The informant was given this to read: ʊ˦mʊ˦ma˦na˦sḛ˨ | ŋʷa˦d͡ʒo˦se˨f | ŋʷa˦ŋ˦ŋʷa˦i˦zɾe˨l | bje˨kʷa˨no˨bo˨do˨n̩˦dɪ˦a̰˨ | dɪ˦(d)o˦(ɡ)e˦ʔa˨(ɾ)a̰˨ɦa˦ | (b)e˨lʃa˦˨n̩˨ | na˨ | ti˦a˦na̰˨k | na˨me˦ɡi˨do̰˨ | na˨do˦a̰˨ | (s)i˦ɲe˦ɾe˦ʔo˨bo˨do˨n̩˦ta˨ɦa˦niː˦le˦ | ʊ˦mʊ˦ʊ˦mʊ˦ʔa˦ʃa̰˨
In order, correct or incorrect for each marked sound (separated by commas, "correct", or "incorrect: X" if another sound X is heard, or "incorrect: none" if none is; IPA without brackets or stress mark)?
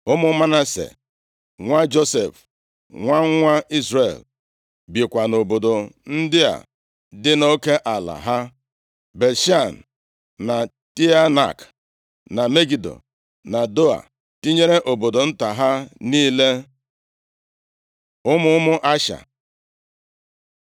incorrect: n, incorrect: k, incorrect: l, correct, incorrect: t